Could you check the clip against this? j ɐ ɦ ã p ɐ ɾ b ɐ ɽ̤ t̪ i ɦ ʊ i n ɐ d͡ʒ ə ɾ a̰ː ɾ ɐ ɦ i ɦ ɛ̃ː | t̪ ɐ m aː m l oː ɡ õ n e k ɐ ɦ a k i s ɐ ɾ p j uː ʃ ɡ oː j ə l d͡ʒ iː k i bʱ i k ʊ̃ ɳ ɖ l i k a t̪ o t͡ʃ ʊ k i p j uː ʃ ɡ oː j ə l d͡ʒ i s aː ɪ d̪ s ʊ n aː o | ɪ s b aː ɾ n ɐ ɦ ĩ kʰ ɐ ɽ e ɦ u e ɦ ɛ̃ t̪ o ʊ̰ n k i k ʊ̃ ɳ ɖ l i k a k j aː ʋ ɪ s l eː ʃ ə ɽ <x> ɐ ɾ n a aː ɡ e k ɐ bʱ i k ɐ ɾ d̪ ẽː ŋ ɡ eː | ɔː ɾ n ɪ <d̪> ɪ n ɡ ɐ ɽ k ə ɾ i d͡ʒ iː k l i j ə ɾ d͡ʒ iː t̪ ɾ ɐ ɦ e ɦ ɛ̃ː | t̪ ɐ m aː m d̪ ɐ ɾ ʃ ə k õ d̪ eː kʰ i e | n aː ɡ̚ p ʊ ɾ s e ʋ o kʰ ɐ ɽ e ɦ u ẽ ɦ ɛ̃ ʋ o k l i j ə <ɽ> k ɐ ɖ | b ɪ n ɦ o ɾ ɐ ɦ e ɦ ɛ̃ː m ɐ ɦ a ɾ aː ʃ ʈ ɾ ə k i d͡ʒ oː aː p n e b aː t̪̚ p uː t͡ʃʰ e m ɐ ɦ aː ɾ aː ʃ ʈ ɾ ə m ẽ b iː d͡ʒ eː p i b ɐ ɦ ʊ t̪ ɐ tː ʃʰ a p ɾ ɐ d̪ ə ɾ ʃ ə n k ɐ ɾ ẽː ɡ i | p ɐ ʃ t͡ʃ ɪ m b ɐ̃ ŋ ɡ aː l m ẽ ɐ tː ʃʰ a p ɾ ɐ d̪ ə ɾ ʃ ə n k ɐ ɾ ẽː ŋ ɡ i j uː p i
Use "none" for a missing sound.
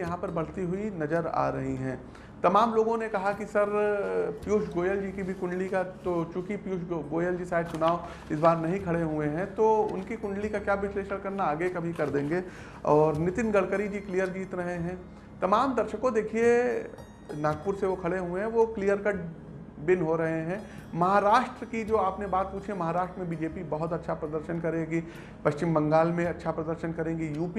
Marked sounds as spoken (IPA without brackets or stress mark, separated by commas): k, t̪, ɾ